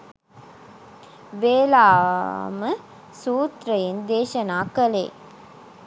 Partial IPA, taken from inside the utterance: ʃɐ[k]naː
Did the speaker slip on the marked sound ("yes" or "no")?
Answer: yes